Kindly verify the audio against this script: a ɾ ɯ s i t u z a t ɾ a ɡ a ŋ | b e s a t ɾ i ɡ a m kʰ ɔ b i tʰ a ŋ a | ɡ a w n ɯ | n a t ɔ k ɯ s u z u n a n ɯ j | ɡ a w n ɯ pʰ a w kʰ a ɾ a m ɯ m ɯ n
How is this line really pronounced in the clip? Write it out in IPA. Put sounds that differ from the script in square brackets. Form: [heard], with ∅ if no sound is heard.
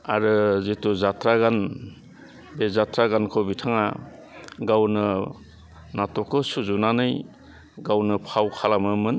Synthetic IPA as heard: a ɾ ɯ [z] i t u z a t ɾ a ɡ a [n] | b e [z] a t ɾ [a] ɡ a [n] kʰ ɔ b i tʰ a ŋ a | ɡ a w n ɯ | n a t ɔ k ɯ s u z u n a n ɯ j | ɡ a w n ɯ pʰ a w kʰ a [l] a m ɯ m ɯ n